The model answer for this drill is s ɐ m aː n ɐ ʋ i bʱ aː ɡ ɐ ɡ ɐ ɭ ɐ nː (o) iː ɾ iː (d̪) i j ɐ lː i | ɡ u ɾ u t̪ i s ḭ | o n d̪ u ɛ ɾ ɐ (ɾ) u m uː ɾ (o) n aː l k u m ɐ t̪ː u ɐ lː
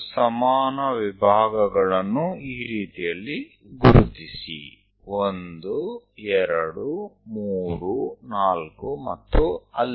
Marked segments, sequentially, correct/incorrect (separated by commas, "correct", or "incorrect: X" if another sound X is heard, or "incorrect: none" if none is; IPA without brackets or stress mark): incorrect: u, incorrect: t̪, incorrect: ɽ, incorrect: u